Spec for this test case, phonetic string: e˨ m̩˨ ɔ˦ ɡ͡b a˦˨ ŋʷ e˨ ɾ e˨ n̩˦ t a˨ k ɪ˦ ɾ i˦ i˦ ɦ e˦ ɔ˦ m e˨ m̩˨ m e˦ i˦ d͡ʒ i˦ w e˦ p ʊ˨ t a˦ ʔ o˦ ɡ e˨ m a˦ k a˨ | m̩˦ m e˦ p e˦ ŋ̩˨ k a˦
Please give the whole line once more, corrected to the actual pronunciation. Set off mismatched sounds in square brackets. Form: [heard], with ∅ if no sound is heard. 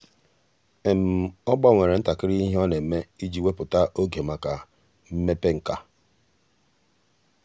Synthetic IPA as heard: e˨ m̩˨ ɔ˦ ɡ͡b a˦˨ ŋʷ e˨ ɾ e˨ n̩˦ t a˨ k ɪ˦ ɾ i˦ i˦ ɦ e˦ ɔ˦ [n] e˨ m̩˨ m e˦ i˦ d͡ʒ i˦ w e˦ p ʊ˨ t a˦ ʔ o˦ ɡ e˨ m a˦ k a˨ | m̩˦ m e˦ p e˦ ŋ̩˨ k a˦